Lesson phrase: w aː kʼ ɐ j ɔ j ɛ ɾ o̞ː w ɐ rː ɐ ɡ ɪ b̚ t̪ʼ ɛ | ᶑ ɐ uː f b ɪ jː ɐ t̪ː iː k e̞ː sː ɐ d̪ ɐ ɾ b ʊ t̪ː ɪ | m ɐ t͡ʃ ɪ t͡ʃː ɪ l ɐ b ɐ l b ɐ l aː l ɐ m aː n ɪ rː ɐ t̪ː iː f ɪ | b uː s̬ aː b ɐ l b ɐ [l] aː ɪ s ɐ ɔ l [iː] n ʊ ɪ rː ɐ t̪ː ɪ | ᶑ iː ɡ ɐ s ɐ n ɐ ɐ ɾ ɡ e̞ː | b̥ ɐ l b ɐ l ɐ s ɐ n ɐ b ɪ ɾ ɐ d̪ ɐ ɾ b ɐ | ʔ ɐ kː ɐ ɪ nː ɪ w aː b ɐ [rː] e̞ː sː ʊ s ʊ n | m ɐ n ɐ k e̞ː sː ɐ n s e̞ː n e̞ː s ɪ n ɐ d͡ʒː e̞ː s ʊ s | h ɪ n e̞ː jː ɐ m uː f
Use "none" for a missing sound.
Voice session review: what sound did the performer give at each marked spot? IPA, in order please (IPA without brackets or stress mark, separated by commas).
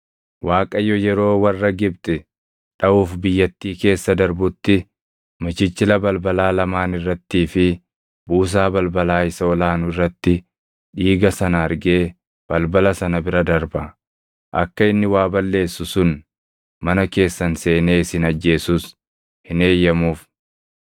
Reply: l, aː, lː